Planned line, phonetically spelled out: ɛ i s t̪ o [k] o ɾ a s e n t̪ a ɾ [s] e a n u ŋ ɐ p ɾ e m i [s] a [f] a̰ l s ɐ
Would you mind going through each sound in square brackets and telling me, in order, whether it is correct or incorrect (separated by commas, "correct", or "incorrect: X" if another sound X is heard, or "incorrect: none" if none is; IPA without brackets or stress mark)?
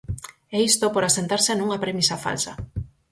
incorrect: p, correct, correct, correct